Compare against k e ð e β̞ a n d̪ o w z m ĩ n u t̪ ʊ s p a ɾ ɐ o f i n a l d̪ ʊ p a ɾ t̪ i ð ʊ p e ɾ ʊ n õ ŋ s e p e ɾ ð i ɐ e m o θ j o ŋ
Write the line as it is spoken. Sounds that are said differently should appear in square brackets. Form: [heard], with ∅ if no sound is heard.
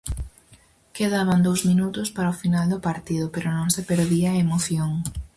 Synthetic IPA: k e ð [a] β̞ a n d̪ o w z m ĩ n u t̪ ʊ s p a ɾ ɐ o f i n a l d̪ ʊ p a ɾ t̪ i ð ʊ p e ɾ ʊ n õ ŋ s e p e ɾ ð i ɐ e m o θ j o ŋ